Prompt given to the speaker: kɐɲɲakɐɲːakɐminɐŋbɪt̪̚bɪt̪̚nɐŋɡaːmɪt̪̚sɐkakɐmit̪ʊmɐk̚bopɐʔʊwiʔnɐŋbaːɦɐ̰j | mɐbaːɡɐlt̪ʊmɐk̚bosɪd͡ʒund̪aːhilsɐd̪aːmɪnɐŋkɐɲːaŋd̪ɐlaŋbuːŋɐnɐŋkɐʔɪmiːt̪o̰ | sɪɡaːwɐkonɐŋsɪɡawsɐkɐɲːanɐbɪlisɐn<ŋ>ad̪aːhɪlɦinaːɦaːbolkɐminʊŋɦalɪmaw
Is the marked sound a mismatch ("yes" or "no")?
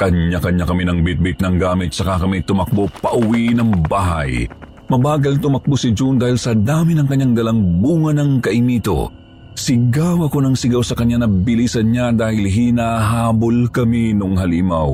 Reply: yes